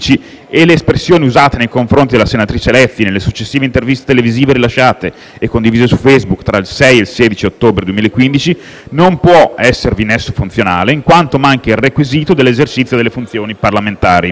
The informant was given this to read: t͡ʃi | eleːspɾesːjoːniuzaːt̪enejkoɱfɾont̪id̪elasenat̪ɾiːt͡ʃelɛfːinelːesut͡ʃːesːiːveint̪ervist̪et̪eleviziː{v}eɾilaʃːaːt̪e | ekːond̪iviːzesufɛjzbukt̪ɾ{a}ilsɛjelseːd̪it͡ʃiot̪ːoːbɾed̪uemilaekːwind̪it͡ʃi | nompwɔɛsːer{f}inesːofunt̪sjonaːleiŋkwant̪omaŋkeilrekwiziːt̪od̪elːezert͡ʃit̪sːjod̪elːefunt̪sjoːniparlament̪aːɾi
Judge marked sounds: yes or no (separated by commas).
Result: yes, yes, no